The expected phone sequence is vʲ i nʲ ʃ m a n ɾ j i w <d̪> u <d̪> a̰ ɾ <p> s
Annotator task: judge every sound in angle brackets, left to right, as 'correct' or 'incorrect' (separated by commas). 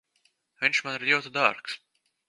incorrect, correct, incorrect